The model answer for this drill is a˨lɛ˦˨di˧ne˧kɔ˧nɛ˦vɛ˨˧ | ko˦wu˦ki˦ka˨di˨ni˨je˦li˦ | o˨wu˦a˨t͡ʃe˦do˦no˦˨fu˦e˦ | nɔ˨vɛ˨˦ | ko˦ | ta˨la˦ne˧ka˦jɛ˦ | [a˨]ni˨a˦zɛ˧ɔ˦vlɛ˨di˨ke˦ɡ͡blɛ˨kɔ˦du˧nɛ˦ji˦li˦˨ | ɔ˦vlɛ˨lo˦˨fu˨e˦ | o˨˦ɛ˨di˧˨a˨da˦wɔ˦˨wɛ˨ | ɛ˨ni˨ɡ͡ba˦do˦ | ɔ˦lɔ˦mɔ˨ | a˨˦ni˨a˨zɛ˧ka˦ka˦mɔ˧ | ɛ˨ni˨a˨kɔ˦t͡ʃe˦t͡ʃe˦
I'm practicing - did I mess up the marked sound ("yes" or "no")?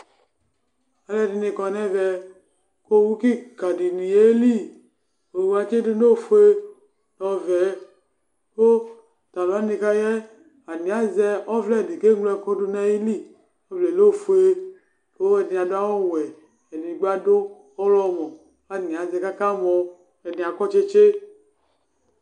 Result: no